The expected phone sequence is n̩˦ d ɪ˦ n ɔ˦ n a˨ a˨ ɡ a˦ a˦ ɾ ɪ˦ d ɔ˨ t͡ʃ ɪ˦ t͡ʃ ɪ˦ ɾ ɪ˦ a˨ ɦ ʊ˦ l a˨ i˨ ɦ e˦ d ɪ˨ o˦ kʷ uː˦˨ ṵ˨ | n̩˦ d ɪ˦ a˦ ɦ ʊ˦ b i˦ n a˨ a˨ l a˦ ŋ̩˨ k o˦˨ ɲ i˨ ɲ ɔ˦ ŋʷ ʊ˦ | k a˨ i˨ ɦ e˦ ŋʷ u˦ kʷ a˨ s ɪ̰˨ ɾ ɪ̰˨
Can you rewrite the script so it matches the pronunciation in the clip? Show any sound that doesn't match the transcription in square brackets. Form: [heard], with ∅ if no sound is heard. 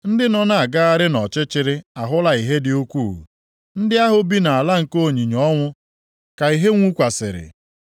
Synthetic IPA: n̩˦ d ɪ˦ n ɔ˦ n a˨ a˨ ɡ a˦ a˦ ɾ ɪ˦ [n] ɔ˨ t͡ʃ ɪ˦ t͡ʃ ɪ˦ ɾ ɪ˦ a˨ ɦ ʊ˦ l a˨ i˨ ɦ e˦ d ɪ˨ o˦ kʷ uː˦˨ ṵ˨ | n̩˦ d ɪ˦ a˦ ɦ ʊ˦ b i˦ n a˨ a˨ l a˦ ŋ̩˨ k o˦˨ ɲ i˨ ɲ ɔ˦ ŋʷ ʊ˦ | k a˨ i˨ ɦ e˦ ŋʷ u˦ kʷ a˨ s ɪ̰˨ ɾ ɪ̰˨